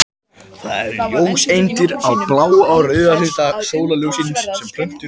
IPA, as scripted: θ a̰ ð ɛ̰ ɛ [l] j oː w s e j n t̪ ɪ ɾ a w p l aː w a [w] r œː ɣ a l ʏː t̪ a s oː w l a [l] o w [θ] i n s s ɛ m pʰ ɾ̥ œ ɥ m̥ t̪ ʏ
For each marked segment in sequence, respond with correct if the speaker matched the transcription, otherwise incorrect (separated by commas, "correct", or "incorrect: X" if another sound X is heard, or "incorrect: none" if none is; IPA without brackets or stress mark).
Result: incorrect: ɾ, correct, correct, incorrect: s